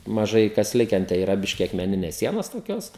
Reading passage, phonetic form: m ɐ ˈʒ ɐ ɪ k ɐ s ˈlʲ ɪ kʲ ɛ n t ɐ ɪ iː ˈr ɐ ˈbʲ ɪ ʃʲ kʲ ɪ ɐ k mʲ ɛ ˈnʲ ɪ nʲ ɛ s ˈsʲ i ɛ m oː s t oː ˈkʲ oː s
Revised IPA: m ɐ ˈʒ ɐ ɪ k ɐ s ˈlʲ ɪ kʲ ɛ n t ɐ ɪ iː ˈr ɐ ˈbʲ ɪ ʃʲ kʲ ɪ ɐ k mʲ ɛ ˈnʲ ɪ nʲ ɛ s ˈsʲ i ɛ n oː s t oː ˈkʲ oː s